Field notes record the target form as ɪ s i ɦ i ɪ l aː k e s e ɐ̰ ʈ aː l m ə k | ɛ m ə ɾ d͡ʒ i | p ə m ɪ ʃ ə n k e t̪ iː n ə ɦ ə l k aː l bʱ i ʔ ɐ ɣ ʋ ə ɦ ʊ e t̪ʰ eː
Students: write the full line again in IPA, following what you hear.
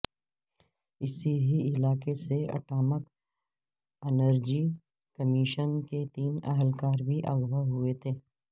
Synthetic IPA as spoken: ɪ s i ɦ i ɪ l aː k e s e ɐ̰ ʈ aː m ə k | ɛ n ə ɾ d͡ʒ i | k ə m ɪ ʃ ə n k e t̪ iː n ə ɦ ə l k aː ɾ bʱ i ʔ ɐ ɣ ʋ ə ɦ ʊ e t̪ʰ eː